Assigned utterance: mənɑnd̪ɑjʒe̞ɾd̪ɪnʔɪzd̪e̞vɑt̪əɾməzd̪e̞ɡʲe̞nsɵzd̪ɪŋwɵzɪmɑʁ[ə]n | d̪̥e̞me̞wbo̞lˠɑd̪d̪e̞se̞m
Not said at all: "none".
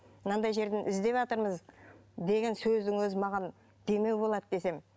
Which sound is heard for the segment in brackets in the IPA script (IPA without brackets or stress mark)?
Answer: ɑ